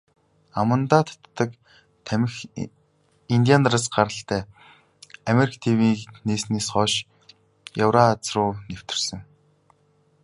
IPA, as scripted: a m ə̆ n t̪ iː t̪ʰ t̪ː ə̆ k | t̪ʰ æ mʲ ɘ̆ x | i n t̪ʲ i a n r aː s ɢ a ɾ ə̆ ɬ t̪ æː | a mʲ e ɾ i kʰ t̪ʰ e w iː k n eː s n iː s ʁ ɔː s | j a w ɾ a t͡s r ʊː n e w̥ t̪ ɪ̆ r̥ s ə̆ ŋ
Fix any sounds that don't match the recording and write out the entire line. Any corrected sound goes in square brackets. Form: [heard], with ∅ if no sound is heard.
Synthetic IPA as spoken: a m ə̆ n t̪ [aː] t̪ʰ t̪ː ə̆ k | t̪ʰ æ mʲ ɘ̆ x | i n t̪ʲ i a n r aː s ɢ a ɾ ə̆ ɬ t̪ æː | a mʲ e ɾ i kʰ t̪ʰ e w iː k n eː s n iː s [χ] ɔː [ʃ] | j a w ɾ a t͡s r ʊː n e w̥ t̪ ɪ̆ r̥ s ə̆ ŋ